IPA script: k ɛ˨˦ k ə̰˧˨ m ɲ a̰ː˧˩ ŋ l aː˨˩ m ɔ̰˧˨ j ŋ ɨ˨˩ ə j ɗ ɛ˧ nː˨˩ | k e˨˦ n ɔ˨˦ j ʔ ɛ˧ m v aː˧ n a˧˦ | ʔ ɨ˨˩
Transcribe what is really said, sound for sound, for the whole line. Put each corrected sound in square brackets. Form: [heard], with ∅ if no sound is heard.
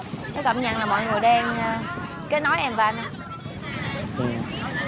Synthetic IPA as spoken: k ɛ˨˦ k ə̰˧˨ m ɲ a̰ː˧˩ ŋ l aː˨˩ m ɔ̰˧˨ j ŋ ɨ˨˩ ə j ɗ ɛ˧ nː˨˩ | k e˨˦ n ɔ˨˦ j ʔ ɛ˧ m v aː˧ n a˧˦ | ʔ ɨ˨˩